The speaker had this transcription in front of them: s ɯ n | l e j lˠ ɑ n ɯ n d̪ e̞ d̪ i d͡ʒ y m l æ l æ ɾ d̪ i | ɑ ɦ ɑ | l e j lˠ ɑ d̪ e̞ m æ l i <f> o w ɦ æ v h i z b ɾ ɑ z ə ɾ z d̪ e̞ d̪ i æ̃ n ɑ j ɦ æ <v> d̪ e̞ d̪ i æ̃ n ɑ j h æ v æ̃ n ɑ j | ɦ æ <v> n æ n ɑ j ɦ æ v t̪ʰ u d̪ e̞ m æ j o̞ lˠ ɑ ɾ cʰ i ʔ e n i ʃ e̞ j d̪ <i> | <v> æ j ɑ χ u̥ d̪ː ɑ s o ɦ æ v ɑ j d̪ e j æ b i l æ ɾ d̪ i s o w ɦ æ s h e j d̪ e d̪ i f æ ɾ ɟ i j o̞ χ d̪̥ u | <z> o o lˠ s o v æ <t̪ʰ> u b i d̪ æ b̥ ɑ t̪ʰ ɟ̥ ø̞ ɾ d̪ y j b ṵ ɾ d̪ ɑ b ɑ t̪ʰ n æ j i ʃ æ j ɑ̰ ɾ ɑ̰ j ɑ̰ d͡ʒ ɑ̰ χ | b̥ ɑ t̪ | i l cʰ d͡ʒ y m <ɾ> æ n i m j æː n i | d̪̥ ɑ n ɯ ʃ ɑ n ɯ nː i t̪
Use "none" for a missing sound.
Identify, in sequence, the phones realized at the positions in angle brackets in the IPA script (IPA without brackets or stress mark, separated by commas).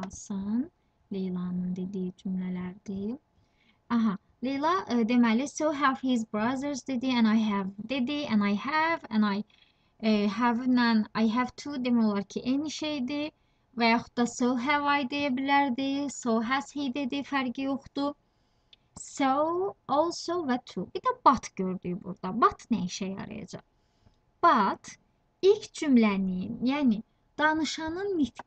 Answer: s, v, v, i, v, s, t̪ʰ, l